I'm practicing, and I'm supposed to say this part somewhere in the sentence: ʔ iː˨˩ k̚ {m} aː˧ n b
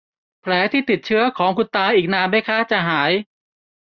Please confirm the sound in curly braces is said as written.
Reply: no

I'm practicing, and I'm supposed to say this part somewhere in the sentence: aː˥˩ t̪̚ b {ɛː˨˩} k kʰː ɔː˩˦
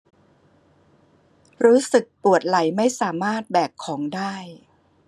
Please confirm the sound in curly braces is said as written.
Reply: yes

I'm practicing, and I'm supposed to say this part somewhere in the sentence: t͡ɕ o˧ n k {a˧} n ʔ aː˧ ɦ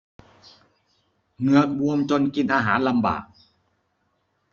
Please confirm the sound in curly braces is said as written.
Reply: no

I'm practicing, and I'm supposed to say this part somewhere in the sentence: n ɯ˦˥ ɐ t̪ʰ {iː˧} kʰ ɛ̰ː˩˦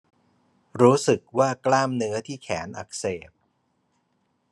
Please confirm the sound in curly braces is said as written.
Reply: no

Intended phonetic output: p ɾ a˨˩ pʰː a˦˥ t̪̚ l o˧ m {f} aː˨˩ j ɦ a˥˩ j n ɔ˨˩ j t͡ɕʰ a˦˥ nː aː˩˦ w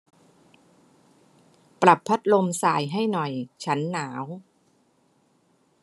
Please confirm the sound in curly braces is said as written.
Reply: no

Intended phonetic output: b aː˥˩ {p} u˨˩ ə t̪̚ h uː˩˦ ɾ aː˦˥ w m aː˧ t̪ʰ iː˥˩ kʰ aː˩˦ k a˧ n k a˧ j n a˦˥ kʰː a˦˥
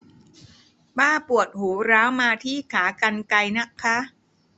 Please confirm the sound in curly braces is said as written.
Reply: yes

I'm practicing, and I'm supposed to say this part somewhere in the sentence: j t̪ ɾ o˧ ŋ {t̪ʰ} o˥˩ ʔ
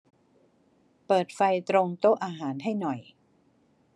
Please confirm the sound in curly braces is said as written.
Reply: no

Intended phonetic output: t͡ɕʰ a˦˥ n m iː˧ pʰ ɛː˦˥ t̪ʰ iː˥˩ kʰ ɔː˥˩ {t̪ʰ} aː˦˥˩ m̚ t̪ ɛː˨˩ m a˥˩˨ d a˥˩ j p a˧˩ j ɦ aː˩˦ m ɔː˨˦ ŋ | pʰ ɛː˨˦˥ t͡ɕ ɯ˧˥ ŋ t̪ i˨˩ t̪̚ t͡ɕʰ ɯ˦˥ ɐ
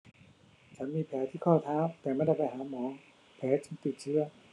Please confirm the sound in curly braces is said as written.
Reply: yes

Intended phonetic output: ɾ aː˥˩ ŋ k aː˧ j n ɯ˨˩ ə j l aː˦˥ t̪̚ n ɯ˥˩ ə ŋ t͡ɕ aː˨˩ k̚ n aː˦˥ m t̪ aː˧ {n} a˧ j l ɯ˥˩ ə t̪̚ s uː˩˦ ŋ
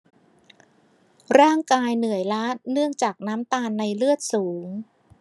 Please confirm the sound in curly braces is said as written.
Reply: no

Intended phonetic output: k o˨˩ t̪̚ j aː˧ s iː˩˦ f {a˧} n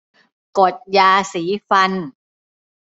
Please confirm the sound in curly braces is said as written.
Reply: yes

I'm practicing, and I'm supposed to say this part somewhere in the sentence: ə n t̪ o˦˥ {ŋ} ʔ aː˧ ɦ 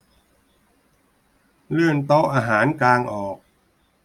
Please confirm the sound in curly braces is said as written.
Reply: no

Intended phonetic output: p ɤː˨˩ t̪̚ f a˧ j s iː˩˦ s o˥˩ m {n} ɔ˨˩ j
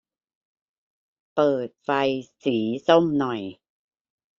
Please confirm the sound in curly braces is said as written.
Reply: yes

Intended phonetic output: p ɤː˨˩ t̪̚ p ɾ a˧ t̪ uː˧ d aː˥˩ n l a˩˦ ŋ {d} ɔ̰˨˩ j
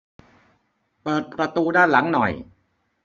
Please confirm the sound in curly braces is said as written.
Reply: no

